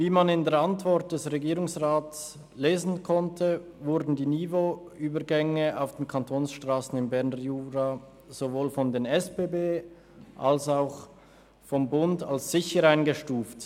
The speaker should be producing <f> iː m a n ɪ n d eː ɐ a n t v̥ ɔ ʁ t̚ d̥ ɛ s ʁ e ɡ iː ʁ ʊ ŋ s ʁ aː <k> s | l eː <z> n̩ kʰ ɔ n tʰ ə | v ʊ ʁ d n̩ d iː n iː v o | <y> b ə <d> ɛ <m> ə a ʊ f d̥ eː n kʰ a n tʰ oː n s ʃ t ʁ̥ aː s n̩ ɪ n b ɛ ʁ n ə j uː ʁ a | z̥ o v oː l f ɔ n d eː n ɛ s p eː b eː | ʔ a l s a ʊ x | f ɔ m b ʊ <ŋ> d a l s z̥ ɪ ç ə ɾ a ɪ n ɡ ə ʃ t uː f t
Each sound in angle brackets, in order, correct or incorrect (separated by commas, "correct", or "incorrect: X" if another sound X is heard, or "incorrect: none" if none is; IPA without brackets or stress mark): incorrect: v, incorrect: t, correct, incorrect: yː, incorrect: ɡ, incorrect: ŋ, incorrect: n